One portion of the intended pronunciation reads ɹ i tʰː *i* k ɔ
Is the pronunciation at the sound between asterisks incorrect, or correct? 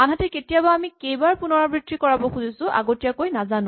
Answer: correct